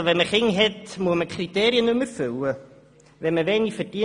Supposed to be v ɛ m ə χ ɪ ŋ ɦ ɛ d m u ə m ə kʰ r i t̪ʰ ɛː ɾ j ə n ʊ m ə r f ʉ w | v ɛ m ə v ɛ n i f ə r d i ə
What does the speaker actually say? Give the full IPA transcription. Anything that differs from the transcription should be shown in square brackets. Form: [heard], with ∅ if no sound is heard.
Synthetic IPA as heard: v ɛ m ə χ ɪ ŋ ɦ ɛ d m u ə m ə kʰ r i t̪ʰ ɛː ɾ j ə n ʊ m ə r f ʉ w | v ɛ m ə v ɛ n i f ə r d i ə